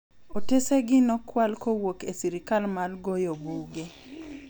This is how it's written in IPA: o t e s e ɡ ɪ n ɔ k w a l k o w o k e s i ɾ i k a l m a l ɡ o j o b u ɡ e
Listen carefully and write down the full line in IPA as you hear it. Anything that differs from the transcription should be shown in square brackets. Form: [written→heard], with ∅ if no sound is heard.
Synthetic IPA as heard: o t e s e ɡ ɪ n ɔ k w a l k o w o k e s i ɾ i k a l m a l ɡ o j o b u ɡ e